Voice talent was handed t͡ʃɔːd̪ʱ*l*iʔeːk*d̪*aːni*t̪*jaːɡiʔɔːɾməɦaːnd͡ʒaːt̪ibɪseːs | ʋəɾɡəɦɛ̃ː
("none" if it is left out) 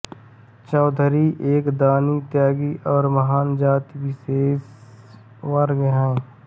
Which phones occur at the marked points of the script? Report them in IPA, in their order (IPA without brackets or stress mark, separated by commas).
ɾ, d̪, t̪